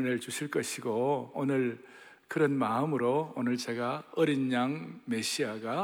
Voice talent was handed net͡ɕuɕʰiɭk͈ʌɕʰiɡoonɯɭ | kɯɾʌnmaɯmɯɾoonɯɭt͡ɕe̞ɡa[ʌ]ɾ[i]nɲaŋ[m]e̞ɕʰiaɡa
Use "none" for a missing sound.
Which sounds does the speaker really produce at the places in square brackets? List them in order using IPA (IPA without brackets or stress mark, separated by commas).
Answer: ʌ, i, m